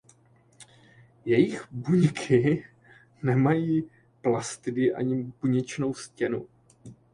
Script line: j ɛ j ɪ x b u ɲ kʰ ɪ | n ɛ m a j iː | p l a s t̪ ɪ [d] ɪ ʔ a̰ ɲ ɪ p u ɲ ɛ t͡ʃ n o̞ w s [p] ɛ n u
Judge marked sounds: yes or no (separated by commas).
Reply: yes, no